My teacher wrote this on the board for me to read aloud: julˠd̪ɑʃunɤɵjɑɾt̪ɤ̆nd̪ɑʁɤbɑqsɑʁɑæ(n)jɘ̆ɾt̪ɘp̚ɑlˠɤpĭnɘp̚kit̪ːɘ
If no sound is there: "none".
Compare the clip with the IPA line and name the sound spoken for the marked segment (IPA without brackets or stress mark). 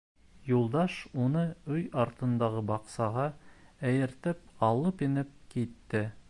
none